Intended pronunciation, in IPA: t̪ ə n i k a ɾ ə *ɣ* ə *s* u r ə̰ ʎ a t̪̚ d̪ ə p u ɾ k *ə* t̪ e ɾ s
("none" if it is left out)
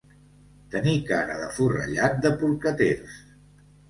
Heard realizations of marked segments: ð, f, ə

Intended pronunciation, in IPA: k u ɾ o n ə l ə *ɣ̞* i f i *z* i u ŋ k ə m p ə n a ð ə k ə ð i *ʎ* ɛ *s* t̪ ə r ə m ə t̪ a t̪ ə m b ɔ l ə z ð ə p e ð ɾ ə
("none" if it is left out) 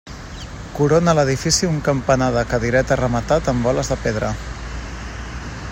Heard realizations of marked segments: ð̞, s, ɾ, none

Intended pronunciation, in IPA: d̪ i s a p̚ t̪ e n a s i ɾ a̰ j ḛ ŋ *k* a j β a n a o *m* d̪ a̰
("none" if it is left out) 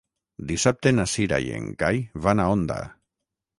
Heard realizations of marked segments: ɡ, n

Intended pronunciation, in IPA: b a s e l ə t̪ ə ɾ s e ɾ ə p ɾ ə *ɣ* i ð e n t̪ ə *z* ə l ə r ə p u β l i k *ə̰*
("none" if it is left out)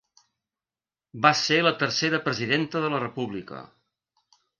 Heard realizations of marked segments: z, ð, ə̰

